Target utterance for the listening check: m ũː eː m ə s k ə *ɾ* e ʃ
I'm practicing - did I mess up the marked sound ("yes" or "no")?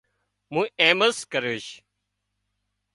no